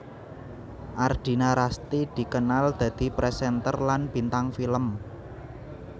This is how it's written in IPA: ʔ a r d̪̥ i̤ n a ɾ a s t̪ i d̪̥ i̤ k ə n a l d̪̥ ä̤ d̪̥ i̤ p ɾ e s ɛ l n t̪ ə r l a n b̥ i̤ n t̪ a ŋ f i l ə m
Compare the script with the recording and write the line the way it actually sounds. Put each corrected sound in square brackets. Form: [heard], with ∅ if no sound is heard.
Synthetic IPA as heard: ʔ a r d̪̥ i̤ n a ɾ a s t̪ i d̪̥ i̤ k ə n a l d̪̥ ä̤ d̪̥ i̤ p ɾ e s ɛ [∅] n t̪ ə r l a n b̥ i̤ n t̪ a ŋ f i l ə m